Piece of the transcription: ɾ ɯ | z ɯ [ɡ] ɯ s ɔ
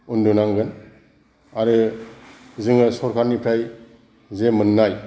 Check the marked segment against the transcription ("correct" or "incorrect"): incorrect